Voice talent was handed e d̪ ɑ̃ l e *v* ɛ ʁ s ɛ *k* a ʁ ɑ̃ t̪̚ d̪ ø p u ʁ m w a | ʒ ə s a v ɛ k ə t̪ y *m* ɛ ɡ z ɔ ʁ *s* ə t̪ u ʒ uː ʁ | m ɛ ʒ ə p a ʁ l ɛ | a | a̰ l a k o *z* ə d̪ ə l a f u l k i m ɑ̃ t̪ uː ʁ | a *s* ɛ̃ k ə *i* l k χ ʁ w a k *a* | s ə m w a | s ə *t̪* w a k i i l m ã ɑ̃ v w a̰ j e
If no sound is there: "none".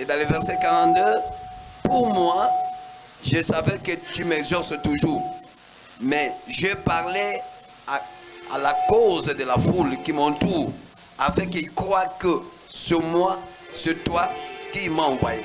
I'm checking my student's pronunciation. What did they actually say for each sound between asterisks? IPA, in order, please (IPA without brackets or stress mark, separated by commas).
v, k, m, s, z, f, i, ə, t̪